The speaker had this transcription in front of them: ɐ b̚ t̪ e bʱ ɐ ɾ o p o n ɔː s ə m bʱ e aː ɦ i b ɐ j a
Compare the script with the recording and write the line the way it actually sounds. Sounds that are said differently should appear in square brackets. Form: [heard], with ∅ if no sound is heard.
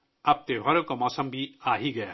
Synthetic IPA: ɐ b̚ t̪ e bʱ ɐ ɾ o [k] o [m] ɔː s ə m bʱ [i] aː ɦ i [ɡ] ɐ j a